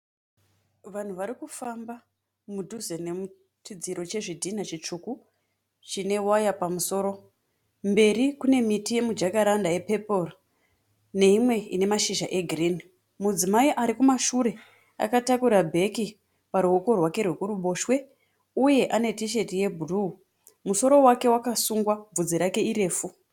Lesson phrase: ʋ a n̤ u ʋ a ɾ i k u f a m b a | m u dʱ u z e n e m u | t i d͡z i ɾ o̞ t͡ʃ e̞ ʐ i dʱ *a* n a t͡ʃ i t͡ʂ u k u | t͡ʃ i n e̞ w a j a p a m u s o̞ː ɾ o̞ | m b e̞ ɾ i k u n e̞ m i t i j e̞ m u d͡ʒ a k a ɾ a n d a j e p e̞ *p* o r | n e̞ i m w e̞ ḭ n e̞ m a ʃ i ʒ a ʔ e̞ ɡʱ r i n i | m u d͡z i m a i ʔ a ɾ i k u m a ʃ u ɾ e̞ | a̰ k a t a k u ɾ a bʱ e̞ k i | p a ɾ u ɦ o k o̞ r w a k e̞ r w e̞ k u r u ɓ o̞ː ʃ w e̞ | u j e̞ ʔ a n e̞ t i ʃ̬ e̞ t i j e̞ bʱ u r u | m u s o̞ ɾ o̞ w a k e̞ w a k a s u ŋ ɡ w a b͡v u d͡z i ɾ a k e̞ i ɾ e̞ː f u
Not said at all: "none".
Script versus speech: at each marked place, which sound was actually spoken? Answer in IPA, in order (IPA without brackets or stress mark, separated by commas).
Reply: i, p